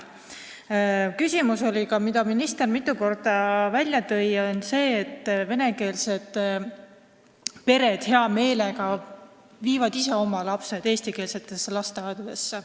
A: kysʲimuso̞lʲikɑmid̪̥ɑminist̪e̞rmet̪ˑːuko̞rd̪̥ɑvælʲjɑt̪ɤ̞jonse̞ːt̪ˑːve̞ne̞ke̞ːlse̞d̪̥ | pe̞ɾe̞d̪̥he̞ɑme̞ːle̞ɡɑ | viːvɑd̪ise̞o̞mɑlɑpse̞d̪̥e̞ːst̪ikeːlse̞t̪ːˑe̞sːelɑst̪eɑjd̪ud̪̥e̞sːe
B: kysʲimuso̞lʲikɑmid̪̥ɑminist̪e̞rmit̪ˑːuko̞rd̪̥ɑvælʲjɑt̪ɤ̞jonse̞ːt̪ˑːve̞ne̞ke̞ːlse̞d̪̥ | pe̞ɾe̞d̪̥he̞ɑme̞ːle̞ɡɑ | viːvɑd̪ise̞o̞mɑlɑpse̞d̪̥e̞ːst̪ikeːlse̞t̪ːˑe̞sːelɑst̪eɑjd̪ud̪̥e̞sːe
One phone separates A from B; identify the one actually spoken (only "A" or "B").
B